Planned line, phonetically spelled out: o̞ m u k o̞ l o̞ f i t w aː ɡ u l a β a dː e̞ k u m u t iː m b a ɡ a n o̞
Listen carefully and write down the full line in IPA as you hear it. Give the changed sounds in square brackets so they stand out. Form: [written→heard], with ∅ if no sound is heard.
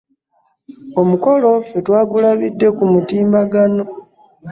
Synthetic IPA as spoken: o̞ m u k o̞ l o̞ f [i→e] t w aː ɡ u l a β [a→i] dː e̞ k u m u t iː m b a ɡ a n o̞